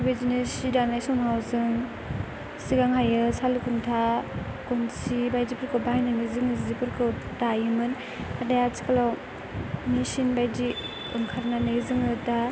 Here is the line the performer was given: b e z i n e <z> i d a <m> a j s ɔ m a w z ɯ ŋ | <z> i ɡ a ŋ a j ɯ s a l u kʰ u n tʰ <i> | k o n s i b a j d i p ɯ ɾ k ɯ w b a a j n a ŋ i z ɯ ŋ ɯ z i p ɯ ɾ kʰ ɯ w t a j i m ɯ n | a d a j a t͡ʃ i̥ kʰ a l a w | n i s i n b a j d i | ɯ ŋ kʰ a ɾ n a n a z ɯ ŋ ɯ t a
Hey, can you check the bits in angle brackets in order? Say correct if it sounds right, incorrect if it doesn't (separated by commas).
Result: incorrect, incorrect, incorrect, incorrect